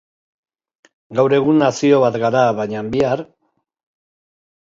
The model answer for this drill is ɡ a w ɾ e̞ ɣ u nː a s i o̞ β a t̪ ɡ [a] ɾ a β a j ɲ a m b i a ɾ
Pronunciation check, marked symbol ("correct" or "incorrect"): correct